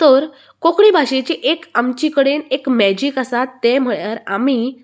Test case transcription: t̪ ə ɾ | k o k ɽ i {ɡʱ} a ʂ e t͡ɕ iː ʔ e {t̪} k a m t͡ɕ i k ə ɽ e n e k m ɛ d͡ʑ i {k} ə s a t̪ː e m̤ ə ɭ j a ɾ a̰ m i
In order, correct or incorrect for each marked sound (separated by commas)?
incorrect, incorrect, correct